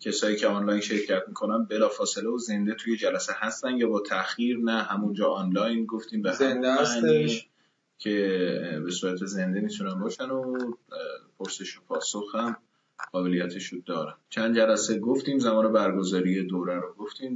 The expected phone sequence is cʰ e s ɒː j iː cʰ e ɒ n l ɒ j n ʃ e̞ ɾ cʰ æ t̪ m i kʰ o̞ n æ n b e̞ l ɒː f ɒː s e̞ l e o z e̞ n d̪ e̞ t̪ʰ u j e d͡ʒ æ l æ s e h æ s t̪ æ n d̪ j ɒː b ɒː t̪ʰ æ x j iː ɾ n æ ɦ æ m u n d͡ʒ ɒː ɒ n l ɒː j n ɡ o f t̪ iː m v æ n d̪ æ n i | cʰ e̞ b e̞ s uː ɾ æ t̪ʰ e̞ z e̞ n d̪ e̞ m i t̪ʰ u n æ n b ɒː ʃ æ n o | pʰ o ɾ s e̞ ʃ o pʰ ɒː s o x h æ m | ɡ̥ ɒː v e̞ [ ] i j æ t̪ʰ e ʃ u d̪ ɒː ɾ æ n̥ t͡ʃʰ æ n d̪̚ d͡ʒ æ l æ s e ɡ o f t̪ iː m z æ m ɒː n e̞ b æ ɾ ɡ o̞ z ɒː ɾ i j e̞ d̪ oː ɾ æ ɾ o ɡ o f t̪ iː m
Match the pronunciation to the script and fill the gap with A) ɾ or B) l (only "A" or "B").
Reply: B